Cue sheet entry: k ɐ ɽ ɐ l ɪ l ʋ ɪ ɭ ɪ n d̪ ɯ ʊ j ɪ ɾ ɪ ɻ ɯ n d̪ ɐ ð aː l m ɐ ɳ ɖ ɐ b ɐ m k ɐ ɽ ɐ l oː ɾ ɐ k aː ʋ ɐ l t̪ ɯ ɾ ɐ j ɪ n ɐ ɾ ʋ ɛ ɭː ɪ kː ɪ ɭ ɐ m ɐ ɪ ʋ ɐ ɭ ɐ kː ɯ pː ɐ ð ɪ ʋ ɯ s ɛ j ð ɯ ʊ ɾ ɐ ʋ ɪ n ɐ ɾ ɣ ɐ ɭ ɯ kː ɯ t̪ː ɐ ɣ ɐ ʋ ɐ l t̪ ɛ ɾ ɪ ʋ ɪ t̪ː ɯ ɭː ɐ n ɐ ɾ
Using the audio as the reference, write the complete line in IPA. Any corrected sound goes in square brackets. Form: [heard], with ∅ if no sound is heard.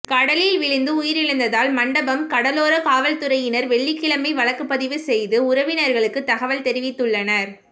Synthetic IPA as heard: k ɐ ɽ ɐ l ɪ l ʋ ɪ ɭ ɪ n d̪ ɯ ʊ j ɪ ɾ ɪ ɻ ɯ n d̪ ɐ ð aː l m ɐ ɳ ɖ ɐ b ɐ m k ɐ ɽ ɐ l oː ɾ ɐ k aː ʋ ɐ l t̪ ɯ ɾ ɐ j ɪ n ɐ ɾ ʋ ɛ ɭː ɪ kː ɪ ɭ ɐ m ɐ ɪ ʋ ɐ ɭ ɐ kː ɯ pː ɐ ð ɪ ʋ ɯ s ɛ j ð ɯ ʊ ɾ ɐ ʋ ɪ n ɐ ɾ ɣ ɐ ɭ ɯ kː ɯ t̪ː ɐ ɣ ɐ ʋ ɐ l t̪ ɛ ɾ ɪ ʋ ɪ t̪ː ɯ ɭː ɐ n ɐ ɾ